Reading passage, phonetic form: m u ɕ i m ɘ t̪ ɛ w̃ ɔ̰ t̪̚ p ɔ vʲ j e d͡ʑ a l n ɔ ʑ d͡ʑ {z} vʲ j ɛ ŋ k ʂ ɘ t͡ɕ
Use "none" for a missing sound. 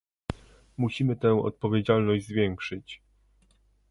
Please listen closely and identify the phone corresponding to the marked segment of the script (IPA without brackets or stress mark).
z